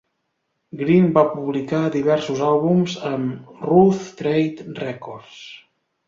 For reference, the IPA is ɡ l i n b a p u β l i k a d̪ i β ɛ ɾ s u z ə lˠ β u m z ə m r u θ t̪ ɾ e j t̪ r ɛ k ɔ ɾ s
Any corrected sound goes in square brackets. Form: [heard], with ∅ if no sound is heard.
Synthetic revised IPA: ɡ [ɾ] i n b a p u β l i k a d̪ i β ɛ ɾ s u z [a] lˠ β u m z ə m r u θ t̪ ɾ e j t̪ r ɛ k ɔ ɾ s